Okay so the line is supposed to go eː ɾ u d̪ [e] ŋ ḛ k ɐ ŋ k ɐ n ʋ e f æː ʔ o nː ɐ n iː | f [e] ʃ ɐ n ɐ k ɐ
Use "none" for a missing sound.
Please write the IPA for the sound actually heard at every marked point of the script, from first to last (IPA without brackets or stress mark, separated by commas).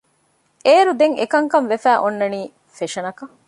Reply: e, e